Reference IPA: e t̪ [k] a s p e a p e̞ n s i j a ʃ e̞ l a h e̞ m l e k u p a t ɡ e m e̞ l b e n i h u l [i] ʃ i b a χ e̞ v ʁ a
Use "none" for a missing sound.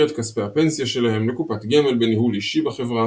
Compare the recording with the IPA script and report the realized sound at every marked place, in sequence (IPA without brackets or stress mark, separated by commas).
k, i